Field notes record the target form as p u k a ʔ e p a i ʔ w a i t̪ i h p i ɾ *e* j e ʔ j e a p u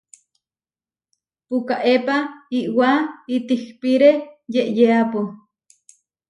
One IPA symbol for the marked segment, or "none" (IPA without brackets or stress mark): e